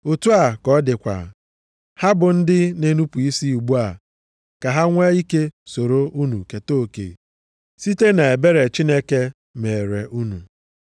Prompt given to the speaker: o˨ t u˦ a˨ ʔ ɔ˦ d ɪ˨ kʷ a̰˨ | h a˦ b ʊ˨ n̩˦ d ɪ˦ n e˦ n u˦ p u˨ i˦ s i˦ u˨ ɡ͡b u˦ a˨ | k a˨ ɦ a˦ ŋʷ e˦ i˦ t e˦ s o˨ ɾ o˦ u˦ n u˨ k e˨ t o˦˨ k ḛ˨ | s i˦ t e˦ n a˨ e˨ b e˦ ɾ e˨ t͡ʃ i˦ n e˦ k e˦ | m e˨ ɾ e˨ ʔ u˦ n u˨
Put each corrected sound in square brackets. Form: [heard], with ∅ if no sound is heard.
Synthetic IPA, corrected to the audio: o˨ t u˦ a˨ [k] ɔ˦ d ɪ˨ kʷ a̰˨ | h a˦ b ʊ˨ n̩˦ d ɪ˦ n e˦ n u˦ p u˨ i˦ s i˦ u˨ ɡ͡b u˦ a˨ | k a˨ ɦ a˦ ŋʷ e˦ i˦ [k] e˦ s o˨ ɾ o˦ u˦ n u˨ k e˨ t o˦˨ k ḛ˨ | s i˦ t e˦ n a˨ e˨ b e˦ ɾ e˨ t͡ʃ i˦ n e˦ k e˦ | m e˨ ɾ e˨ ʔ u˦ n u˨